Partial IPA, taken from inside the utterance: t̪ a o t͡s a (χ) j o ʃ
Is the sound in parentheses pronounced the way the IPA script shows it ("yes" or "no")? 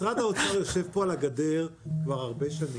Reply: no